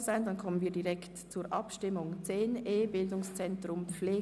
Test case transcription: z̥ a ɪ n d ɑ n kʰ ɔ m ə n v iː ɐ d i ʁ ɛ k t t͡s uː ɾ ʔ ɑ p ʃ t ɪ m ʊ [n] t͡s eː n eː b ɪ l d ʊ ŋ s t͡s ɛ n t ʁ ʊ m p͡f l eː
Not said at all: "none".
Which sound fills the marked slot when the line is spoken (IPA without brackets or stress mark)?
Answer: ŋ